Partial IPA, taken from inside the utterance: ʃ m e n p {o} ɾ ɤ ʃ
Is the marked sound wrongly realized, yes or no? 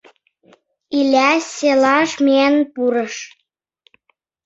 yes